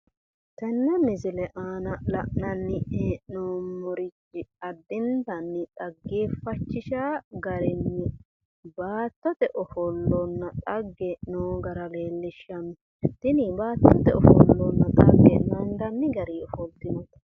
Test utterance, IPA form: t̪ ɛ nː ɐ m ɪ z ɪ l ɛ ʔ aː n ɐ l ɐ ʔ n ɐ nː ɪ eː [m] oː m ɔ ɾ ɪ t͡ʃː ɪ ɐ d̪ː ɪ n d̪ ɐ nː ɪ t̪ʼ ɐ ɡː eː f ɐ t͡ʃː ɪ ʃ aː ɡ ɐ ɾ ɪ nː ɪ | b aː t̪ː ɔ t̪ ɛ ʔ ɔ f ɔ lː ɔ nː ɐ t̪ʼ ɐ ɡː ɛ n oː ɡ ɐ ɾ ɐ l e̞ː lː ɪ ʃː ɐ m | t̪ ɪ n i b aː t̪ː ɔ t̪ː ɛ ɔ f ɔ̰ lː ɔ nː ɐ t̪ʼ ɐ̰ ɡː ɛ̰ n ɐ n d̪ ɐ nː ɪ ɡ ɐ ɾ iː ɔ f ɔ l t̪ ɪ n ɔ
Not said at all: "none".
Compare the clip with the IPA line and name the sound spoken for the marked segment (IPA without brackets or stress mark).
n